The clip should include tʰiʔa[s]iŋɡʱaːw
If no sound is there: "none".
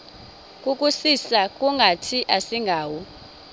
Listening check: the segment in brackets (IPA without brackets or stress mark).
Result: s